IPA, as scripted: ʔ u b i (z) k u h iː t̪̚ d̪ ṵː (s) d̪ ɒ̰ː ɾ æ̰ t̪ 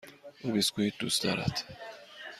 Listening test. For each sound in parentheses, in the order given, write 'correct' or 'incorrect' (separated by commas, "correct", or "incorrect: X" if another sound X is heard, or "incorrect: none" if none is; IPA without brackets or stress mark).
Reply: incorrect: s, correct